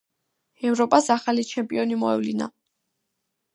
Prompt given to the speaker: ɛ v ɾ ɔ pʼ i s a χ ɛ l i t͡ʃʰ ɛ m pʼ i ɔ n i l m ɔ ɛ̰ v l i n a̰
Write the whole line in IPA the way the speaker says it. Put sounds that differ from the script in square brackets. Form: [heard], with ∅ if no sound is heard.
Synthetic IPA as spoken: ɛ v ɾ ɔ pʼ [a] s a χ [a] l i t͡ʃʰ ɛ m pʼ i ɔ n i [∅] m ɔ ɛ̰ v l i n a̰